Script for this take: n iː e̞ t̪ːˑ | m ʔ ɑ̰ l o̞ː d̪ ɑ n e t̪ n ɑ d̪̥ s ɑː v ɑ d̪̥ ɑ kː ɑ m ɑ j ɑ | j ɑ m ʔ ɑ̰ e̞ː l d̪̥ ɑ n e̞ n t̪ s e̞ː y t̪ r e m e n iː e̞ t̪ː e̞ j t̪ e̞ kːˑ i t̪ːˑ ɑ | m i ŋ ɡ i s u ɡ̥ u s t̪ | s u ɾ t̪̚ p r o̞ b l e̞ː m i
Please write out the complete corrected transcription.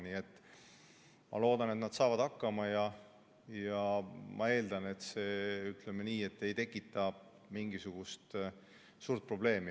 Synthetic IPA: n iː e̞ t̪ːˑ | m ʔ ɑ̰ l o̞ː d̪ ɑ n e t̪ n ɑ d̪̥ s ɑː v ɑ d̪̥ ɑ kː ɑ m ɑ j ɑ | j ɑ m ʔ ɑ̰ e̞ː l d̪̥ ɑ n e̞ t̪ s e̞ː y t̪ l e m e n iː e̞ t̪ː e̞ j t̪ e̞ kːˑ i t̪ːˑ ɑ | m i ŋ ɡ i s u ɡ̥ u s t̪ | s uː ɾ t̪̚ p r o̞ b l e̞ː m i